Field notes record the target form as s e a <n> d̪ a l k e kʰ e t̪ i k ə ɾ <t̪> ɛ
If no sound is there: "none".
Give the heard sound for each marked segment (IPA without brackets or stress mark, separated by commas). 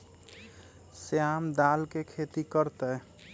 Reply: m, t̪